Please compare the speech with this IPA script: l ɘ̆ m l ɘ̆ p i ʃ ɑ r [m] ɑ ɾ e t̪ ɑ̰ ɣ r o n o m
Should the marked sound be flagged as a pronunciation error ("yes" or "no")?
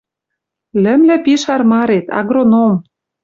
no